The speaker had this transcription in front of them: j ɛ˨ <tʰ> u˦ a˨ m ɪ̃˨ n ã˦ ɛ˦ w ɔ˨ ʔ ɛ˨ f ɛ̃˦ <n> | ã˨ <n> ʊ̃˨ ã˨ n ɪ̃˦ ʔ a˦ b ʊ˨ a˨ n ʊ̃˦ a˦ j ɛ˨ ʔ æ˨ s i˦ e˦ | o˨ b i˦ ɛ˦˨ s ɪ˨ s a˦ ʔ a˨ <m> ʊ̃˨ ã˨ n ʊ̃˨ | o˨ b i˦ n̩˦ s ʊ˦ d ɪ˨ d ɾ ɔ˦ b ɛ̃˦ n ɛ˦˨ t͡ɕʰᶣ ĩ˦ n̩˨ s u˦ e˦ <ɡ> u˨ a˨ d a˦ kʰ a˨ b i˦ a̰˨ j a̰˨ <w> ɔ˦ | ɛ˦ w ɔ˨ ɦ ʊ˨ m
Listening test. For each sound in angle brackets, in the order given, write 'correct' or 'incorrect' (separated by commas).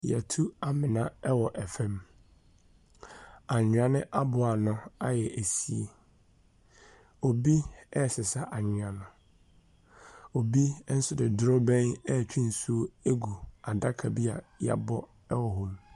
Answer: correct, incorrect, incorrect, incorrect, correct, incorrect